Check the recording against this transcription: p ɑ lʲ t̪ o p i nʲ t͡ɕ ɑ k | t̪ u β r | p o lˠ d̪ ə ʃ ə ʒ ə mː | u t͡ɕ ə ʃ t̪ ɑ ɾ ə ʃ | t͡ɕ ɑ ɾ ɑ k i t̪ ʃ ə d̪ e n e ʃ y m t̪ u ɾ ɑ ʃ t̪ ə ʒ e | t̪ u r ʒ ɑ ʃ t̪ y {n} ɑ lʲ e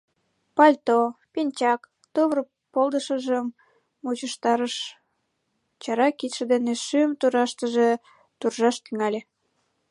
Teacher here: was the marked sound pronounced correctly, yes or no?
no